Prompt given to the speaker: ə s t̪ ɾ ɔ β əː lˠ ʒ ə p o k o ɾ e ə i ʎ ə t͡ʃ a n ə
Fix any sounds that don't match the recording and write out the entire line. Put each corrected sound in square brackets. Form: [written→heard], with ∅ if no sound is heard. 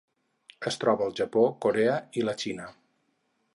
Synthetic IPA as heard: ə s t̪ ɾ ɔ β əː lˠ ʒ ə p o k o ɾ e ə i [ʎ→l] ə t͡ʃ [a→i] n ə

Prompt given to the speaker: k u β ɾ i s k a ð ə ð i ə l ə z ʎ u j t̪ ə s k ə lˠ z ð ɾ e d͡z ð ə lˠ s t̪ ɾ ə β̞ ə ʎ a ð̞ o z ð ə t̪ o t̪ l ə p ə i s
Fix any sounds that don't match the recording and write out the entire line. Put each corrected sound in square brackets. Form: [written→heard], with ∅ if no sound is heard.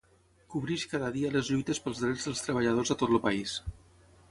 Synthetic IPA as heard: k u β ɾ i [s→ʃ] k a ð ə ð i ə l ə z ʎ u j t̪ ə s [k→p] ə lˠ z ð ɾ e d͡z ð ə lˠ s t̪ ɾ ə β̞ ə ʎ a ð̞ o z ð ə t̪ o t̪ l ə p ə i s

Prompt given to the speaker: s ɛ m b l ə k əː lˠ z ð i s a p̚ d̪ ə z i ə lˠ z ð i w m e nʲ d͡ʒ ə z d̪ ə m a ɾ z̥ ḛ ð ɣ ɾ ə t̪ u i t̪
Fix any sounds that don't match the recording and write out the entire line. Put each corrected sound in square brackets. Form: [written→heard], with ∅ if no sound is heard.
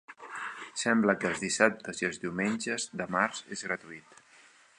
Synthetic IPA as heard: s ɛ m b l ə k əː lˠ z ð i s a p̚ [d̪→t̪] ə z i ə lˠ z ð i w m e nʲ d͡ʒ ə z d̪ ə m a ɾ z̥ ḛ [ð→z] ɣ ɾ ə t̪ u i t̪

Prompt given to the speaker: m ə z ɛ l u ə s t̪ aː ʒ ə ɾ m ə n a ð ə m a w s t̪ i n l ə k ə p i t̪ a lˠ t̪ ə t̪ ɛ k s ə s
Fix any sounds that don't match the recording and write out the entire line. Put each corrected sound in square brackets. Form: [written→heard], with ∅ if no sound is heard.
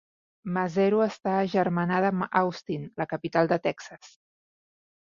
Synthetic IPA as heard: m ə z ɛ [l→ɾ] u ə s t̪ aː ʒ ə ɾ m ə n a ð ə m a w s t̪ i n l ə k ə p i t̪ a lˠ [t̪→d̪] ə t̪ ɛ k s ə s

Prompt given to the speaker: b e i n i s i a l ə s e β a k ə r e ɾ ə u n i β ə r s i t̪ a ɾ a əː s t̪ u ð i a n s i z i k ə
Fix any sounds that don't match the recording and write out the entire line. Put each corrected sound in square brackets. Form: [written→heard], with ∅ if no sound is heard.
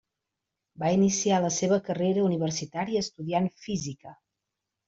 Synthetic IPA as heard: b [e→a] i n i s i a l ə s e β [a→ə] k ə r e ɾ ə u n i β ə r s i t̪ a ɾ [a→i] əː s t̪ u ð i a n [s→f] i z i k ə

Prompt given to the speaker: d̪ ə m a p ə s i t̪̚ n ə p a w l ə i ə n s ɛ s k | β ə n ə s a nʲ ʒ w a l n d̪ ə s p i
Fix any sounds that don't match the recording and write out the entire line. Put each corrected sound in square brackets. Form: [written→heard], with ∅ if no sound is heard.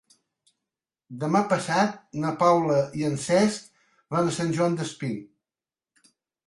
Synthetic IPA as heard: d̪ ə m a p ə s [i→a] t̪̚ n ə p a w l ə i ə n s ɛ s k | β [ə→a] n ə s a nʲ ʒ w a [l→∅] n d̪ ə s p i

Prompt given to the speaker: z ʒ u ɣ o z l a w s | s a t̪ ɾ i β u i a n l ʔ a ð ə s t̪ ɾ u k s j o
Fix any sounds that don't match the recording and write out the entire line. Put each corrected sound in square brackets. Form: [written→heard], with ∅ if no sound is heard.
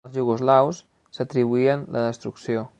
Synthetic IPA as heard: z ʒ u ɣ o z l a w s | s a t̪ ɾ i β u i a n l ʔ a ð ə s t̪ ɾ u k s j o

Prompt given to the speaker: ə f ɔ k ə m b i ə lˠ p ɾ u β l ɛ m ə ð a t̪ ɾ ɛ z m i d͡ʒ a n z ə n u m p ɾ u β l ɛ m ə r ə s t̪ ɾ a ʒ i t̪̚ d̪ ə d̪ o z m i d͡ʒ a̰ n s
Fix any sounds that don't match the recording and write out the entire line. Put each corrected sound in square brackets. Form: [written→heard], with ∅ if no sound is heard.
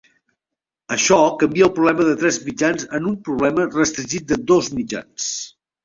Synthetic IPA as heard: ə [f→ʃ] ɔ k ə m b i ə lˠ p ɾ u β l ɛ m ə ð [a→ə] t̪ ɾ ɛ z m i d͡ʒ a n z ə n u m p ɾ u β l ɛ m ə r ə s t̪ ɾ [a→i] ʒ i t̪̚ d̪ ə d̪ o z m i d͡ʒ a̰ n s

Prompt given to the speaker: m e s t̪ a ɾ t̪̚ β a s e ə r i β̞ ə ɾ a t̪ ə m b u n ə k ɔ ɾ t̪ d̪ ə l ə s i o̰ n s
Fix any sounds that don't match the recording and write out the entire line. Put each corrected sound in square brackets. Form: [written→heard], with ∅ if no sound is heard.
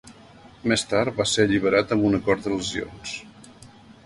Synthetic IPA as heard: m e s t̪ a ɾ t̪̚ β a s e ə [r→ʎ] i β̞ ə ɾ a t̪ ə m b u n ə k ɔ ɾ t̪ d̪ ə l ə [s→z] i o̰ n s

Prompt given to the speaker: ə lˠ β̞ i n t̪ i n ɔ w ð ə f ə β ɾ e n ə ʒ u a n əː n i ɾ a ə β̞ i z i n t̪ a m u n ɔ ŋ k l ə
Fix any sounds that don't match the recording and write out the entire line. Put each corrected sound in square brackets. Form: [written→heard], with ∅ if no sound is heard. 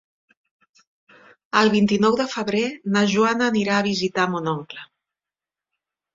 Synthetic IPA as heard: ə lˠ β̞ i n t̪ i n ɔ w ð ə f ə β ɾ e n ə ʒ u a n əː n i ɾ a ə β̞ i z i [n→∅] t̪ a m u n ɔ ŋ k l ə

